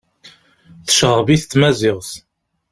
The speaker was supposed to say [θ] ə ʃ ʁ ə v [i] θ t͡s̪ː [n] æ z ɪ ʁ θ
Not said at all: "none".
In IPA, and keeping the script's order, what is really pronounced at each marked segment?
θ, i, m

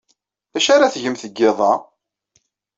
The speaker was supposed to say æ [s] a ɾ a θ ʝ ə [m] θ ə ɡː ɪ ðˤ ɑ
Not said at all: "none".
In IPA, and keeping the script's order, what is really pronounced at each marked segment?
ʃ, m

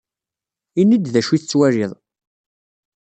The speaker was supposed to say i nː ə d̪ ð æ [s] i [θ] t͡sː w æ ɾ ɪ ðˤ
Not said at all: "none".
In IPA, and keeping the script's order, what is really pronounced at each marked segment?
ʃ, θ

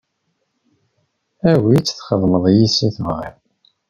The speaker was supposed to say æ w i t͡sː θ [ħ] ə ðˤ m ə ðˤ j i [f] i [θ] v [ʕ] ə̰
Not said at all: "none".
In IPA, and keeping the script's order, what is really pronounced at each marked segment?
χ, s, θ, ʁ

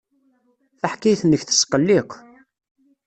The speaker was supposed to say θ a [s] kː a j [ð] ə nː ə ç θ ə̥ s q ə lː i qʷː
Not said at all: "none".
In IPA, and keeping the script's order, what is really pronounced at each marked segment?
ħ, θ

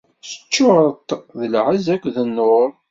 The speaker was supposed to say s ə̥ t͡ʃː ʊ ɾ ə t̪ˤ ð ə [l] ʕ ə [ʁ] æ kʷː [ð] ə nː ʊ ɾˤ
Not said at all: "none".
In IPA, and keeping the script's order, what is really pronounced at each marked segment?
l, z, ð

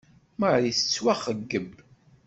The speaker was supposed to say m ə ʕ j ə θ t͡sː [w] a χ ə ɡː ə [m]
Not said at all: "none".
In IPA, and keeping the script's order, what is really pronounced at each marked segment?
w, b

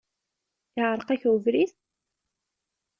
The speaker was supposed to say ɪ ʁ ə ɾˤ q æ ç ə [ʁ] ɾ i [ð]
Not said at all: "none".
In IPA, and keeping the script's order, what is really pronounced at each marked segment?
v, θ

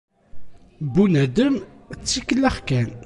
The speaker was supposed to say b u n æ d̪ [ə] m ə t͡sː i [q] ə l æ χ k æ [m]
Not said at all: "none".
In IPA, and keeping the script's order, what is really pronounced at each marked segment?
ə, k, n

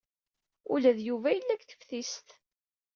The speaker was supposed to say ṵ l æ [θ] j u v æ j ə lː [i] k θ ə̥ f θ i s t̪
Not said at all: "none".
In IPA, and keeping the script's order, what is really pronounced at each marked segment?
ð, æ

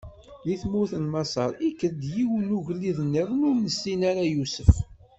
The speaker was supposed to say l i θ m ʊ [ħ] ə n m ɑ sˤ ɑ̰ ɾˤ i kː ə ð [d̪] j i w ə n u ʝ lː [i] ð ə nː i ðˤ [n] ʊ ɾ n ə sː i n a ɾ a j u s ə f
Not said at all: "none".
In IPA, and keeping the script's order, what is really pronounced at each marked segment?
θ, d̪, i, n

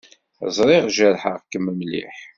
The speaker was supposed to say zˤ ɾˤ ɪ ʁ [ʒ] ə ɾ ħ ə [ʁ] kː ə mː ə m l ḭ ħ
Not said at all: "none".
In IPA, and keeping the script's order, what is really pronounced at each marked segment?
ʒ, ʁ

